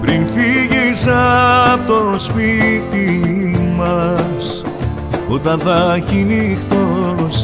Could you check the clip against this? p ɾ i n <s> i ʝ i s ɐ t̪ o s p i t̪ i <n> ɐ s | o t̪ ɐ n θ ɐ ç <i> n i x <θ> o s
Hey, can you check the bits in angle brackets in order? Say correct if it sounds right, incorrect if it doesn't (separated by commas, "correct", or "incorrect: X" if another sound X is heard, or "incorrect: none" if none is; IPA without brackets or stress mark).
incorrect: f, incorrect: m, correct, correct